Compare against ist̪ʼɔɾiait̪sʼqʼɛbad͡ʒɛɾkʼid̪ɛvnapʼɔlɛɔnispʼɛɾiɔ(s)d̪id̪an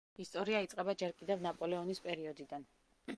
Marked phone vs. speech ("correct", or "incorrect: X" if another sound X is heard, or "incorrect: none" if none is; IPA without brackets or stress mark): incorrect: none